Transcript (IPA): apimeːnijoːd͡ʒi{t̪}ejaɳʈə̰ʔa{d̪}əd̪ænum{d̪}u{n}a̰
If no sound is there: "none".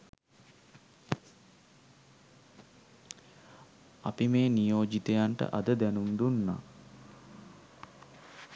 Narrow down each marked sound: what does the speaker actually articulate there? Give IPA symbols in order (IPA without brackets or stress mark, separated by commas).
t̪, d̪, d̪, nː